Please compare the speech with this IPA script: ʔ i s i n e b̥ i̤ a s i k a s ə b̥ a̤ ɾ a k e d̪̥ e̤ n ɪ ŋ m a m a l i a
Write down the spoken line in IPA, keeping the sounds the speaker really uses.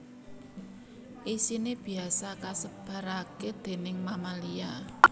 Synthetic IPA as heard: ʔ i s i n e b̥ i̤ a s a k a s ə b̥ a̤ ɾ a k e d̪̥ e̤ n ɪ ŋ m a m a l i a